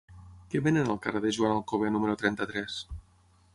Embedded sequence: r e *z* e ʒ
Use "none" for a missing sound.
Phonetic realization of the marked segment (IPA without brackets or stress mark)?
ð